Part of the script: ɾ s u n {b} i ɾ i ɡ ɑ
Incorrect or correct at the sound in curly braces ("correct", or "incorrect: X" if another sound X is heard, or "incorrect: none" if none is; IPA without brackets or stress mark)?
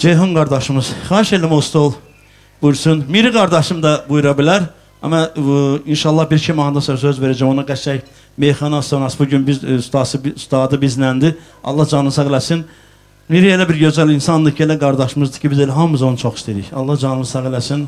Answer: incorrect: m